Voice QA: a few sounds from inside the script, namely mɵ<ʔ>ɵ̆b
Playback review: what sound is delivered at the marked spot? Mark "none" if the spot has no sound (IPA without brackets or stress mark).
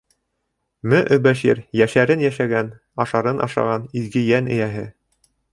ʔ